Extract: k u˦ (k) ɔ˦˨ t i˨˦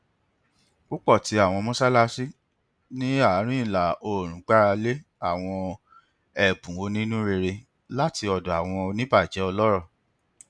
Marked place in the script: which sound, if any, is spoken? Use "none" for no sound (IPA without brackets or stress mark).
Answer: k͡p